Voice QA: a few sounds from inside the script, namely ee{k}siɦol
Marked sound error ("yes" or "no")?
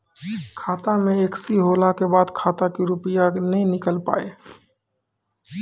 no